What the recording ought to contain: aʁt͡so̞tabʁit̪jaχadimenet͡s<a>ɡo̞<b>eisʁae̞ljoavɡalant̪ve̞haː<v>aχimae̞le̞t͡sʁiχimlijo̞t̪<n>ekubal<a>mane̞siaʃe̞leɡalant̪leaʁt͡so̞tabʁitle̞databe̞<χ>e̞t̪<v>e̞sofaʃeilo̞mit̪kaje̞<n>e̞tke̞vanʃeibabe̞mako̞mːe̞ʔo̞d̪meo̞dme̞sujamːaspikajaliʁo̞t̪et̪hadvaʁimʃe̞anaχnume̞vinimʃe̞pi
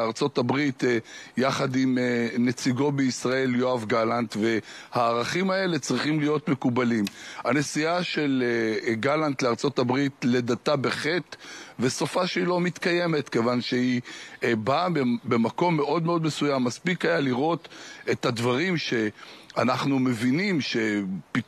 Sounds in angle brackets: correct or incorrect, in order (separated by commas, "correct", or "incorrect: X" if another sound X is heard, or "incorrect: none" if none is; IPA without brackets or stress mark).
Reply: incorrect: i, correct, incorrect: ʁ, incorrect: m, incorrect: i, correct, correct, incorrect: m